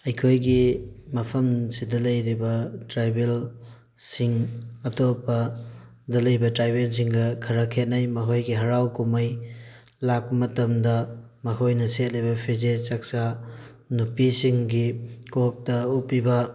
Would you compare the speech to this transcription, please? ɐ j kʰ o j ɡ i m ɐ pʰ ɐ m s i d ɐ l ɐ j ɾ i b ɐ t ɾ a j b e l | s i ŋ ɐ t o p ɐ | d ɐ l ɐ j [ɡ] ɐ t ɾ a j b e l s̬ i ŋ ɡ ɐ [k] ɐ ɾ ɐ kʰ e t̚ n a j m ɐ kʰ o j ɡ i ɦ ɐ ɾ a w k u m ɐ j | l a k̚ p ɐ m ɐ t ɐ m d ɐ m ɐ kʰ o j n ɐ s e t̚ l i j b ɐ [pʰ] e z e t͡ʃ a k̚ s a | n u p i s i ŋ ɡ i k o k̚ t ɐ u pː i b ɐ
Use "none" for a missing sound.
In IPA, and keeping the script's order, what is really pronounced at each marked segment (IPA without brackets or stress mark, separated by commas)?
b, kʰ, pʰ